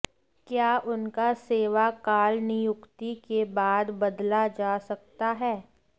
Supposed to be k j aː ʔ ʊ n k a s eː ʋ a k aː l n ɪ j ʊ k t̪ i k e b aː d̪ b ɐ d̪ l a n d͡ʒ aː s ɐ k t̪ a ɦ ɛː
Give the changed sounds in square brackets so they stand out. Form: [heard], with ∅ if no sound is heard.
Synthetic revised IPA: k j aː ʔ ʊ n k a s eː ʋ a k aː l n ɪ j ʊ k t̪ i k e b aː d̪ b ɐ d̪ l a [∅] d͡ʒ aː s ɐ k t̪ a ɦ ɛː